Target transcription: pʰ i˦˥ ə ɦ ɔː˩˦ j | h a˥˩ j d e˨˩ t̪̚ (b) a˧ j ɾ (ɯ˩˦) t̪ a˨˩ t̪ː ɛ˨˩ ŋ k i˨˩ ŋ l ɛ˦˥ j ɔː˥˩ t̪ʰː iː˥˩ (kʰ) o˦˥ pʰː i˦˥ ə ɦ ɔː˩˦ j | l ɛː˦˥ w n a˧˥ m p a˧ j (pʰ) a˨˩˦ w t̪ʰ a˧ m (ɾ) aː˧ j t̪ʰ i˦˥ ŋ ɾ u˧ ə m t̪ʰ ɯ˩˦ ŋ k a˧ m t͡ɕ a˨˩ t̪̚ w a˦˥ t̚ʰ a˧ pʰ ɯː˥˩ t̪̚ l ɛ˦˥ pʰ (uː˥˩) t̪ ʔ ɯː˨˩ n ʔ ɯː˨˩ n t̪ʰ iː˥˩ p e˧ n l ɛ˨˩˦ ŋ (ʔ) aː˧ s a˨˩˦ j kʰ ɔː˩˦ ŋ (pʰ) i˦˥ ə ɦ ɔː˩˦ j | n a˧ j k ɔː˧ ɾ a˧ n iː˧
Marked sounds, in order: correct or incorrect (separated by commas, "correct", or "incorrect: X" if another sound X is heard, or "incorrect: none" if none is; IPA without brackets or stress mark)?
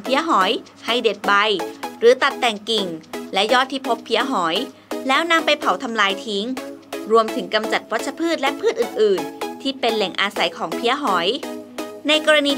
correct, incorrect: ɯː˩˦, incorrect: pʰ, correct, incorrect: l, incorrect: ɯː˥˩, correct, correct